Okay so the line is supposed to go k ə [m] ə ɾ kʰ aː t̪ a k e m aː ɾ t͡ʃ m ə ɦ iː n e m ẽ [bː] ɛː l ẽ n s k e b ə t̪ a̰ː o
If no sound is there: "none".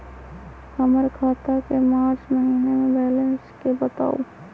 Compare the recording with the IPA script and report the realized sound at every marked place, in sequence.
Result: m, b

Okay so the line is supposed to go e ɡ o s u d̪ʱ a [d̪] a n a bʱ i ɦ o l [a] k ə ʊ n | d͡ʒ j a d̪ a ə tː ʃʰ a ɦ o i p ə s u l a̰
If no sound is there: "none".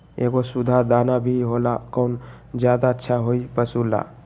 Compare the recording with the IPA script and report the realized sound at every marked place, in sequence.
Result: d̪, a

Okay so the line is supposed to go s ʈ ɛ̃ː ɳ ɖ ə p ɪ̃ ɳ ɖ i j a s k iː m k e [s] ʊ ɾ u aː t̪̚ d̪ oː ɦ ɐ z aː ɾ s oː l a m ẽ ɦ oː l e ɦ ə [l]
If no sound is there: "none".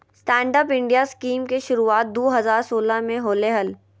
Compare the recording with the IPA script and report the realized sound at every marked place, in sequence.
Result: ʃ, l

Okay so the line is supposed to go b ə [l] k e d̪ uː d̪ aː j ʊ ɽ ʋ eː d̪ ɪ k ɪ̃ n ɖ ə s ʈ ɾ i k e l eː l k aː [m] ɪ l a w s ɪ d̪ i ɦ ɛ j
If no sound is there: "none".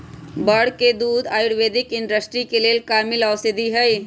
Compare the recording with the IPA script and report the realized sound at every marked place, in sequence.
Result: ɽ, m

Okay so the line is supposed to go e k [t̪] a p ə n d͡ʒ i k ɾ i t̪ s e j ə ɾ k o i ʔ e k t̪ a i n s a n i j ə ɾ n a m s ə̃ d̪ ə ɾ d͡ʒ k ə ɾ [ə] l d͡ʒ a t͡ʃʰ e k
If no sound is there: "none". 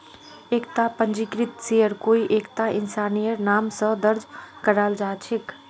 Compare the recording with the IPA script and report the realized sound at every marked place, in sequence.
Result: t̪, a

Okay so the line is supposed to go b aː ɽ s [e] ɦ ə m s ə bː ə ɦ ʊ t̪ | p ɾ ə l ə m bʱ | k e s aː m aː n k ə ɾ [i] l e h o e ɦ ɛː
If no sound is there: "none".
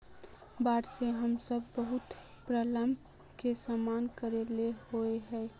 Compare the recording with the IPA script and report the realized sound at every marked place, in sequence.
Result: e, e

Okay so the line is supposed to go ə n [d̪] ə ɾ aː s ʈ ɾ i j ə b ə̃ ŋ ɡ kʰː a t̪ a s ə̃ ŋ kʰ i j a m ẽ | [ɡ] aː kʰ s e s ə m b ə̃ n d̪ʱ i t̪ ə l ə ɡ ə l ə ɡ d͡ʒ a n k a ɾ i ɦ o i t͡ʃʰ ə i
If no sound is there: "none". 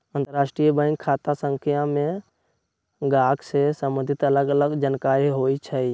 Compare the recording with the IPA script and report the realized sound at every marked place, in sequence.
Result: t̪, ɡ

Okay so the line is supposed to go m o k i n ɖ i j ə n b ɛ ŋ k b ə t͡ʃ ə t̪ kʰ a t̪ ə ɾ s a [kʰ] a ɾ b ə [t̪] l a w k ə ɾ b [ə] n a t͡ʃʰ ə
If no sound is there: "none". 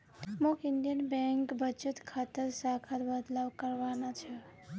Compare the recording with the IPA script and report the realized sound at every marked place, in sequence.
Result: kʰ, d̪, a

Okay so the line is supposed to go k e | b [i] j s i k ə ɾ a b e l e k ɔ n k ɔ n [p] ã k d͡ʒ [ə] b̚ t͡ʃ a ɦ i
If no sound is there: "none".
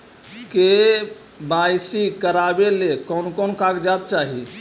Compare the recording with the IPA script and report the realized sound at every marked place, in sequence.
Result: a, k, a

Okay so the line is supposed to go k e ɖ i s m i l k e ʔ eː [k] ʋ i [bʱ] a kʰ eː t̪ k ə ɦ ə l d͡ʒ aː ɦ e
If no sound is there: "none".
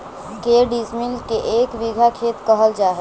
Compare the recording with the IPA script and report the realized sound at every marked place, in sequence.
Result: k, ɡʱ

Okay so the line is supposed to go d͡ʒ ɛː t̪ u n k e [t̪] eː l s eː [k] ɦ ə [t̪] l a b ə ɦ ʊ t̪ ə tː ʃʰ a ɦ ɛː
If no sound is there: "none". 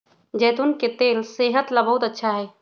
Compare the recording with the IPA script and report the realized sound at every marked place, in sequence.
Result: t̪, none, t̪

